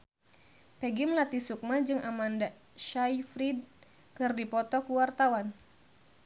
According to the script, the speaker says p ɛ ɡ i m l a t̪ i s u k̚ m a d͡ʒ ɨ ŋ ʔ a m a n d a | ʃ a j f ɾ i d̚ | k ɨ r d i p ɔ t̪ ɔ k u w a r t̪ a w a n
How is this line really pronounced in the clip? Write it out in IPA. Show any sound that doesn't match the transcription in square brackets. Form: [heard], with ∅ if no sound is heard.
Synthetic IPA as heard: p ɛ ɡ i m l a t̪ i s u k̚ m a d͡ʒ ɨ ŋ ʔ a m a n d a | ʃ a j f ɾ i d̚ | k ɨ r d i p ɔ t̪ ɔ k u w a r t̪ a w a n